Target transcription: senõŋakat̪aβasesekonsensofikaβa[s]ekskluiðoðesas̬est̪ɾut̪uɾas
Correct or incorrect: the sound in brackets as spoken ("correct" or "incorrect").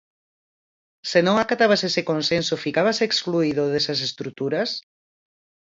correct